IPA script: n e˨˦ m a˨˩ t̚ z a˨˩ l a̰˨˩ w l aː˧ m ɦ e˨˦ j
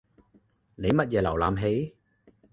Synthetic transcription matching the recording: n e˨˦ m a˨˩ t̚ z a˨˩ l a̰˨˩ w l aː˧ m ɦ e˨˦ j